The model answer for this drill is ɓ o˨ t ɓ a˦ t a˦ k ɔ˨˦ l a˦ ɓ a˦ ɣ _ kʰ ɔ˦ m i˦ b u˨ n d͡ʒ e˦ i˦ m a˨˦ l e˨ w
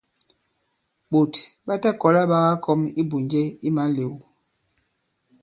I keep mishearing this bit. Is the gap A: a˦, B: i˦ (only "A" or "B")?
A